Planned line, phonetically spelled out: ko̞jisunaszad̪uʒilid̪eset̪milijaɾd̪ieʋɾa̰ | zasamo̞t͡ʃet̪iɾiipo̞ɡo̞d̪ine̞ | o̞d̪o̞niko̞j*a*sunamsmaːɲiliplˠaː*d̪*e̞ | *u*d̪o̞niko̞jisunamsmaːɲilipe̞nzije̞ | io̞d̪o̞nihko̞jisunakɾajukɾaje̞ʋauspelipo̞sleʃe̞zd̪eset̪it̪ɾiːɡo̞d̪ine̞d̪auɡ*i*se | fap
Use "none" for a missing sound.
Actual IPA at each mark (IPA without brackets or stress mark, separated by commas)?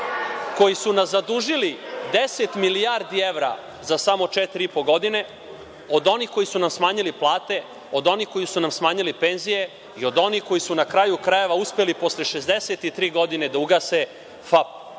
i, t̪, o, a